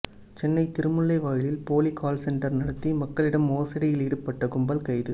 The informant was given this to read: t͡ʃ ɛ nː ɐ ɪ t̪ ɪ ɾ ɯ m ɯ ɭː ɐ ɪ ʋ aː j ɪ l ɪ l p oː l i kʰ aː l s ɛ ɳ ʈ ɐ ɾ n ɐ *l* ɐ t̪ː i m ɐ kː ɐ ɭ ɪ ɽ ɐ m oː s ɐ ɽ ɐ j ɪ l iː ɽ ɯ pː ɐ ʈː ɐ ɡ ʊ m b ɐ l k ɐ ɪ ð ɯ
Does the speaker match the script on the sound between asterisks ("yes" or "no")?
no